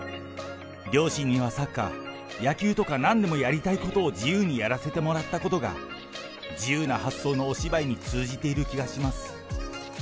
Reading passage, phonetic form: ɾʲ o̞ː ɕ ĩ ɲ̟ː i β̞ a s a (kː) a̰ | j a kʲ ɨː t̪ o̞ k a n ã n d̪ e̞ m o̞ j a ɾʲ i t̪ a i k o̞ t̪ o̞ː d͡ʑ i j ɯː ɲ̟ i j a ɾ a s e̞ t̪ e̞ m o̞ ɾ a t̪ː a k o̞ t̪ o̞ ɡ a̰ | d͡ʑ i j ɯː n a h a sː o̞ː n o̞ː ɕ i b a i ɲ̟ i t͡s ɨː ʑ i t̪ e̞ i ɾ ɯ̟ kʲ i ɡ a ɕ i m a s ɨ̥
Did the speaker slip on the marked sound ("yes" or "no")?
no